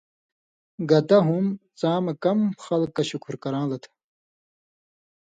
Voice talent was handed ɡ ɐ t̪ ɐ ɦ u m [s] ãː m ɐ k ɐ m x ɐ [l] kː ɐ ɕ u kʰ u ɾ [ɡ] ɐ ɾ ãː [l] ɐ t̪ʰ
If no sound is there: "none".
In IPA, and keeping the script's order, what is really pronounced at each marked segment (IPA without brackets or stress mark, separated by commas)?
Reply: t͡s, l, k, l